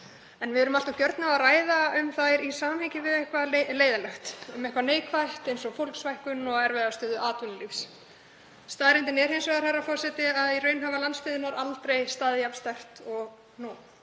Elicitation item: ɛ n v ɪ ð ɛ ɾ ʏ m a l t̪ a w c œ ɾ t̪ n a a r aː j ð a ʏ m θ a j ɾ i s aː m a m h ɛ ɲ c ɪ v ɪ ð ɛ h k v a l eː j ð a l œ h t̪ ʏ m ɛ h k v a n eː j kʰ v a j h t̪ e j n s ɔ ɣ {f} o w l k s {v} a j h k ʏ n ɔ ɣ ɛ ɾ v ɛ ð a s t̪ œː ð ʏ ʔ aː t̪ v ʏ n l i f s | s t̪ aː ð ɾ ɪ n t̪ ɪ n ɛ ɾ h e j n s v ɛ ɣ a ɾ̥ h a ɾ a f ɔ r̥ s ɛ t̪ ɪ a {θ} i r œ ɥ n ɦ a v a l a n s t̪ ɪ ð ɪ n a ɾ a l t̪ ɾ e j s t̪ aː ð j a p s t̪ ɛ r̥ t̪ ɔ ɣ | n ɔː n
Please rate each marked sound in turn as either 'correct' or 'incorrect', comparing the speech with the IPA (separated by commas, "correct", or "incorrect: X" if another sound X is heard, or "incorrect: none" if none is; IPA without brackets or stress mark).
correct, correct, incorrect: ð